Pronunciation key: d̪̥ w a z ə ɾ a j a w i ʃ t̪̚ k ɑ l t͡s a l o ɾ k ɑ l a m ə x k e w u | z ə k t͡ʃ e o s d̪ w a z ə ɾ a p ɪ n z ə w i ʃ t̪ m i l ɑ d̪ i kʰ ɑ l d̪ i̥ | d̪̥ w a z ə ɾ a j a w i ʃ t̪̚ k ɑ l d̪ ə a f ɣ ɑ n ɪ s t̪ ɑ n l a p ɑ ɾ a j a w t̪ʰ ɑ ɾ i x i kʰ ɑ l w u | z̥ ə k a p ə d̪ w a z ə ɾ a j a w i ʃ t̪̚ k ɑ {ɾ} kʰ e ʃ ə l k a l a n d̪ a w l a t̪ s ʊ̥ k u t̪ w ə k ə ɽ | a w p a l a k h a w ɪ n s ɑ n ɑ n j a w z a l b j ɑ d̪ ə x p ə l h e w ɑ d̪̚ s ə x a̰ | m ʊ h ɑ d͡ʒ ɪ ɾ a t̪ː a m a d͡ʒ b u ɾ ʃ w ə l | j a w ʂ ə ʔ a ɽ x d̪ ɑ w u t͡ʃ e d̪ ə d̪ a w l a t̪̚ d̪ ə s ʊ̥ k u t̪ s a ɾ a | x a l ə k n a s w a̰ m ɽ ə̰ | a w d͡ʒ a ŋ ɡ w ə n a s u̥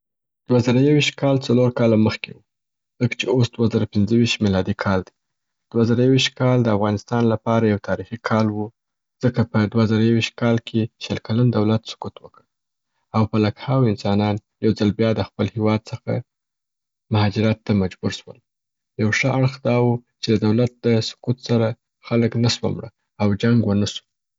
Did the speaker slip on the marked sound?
yes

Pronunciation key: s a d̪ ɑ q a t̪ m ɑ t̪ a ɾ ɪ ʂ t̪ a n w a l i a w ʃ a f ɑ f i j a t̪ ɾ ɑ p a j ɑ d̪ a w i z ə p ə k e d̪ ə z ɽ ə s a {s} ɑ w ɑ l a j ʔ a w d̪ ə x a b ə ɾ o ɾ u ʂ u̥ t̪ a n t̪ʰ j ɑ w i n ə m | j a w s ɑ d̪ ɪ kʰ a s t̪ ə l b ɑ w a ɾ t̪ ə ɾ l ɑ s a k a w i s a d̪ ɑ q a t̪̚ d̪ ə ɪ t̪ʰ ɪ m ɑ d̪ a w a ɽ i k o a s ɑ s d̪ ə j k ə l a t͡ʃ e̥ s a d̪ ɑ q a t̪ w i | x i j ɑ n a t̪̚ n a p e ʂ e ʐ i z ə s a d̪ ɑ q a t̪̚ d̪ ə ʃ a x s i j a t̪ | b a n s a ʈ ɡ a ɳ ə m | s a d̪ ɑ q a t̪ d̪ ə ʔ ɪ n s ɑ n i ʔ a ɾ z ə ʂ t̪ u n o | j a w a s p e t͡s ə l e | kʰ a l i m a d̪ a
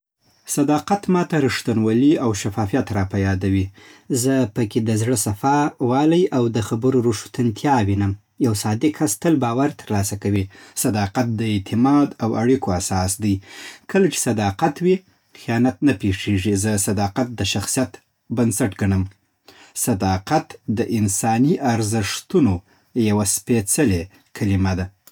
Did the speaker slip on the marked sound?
yes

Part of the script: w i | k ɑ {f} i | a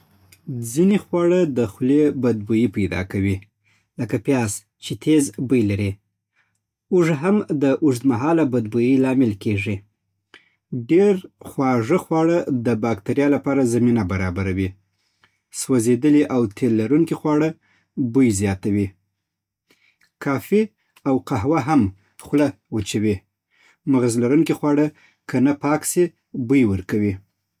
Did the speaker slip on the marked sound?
no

